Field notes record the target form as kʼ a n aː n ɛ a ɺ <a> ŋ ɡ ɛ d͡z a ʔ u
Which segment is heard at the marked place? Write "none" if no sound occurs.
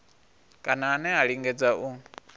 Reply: i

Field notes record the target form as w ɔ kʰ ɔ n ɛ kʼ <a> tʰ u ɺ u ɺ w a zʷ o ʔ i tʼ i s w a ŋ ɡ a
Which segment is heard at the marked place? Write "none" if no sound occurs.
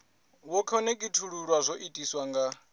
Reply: i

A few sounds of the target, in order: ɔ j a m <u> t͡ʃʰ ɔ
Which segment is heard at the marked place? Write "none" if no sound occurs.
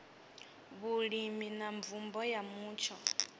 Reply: uː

